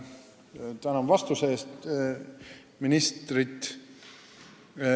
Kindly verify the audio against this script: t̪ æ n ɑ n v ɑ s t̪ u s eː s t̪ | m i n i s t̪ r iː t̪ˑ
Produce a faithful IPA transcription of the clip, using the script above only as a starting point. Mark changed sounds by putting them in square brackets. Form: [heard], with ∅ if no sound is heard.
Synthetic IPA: t̪ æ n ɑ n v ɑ s t̪ u s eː s t̪ | m i n i s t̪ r [i] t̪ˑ